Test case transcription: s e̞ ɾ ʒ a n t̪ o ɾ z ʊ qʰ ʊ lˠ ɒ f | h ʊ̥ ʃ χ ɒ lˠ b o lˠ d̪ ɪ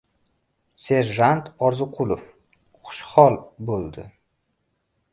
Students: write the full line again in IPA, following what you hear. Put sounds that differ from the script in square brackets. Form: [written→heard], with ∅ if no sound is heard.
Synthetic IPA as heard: s e̞ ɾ ʒ a n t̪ [o→ɒ] ɾ z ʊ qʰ ʊ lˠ [ɒ→o] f | [h→χ] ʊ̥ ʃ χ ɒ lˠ b o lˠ d̪ ɪ